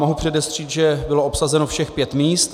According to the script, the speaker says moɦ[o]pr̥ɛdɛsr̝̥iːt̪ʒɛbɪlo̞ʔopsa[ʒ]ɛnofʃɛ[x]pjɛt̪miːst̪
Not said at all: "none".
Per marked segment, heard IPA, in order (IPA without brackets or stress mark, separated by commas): u, z, x